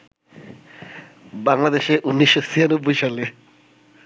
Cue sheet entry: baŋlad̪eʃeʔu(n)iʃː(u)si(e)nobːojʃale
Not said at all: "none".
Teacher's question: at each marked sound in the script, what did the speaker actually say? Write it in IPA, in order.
nː, o, a

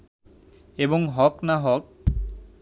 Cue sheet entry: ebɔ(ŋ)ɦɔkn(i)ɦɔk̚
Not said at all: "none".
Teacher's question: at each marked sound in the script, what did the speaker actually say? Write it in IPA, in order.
ŋ, a

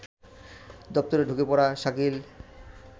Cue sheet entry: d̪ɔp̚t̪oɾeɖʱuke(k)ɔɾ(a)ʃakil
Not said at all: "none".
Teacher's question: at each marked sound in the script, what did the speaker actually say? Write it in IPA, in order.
p, a

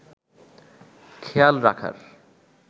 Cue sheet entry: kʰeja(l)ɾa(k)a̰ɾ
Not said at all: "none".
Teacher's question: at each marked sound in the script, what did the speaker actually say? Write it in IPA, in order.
l, kʰ

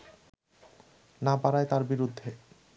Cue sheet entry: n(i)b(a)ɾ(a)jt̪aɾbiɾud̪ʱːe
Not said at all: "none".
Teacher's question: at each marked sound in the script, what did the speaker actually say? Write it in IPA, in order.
a, a, a

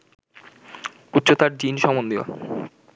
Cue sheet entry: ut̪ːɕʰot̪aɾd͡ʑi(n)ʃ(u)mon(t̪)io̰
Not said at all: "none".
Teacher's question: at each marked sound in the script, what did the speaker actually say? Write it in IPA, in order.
n, ɔ, d̪

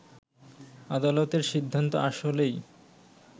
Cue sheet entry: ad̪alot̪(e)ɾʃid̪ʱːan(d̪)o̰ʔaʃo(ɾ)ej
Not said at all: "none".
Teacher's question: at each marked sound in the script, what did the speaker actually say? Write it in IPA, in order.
e, t̪, l

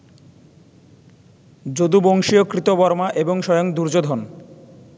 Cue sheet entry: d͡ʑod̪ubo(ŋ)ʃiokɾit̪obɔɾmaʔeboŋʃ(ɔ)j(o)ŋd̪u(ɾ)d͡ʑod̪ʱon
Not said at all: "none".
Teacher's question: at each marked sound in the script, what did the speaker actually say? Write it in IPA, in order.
ŋ, ɔ, o, ɾ

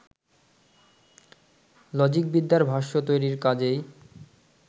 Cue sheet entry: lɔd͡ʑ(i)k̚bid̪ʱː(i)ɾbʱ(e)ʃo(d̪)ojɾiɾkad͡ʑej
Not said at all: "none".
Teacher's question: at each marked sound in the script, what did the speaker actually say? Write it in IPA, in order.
i, a, a, t̪

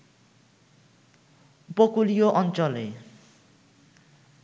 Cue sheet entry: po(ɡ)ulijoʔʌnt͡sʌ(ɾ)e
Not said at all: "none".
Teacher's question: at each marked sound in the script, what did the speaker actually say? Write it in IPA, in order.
k, l

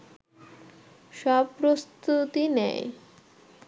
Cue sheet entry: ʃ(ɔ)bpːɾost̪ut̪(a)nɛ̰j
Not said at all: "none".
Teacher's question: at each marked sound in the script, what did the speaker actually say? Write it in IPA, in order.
ɔ, i

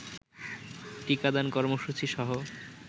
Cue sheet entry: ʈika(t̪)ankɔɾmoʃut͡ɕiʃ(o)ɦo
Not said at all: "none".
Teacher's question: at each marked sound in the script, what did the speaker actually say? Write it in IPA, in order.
d̪, ɔ

